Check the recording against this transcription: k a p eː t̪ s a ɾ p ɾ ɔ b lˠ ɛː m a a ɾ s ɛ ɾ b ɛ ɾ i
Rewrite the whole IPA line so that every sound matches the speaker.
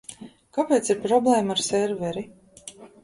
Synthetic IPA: k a p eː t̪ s i ɾ p ɾ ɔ b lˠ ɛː m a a ɾ s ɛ ɾ v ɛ ɾ i